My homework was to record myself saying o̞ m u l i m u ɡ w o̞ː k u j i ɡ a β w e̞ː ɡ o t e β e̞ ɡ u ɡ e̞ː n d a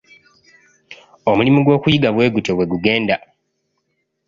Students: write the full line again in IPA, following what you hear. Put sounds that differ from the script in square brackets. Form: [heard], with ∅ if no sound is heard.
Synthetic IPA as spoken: o̞ m u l i m u ɡ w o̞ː k u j i ɡ a β w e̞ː ɡ [u] t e [w] e̞ ɡ u ɡ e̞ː n d a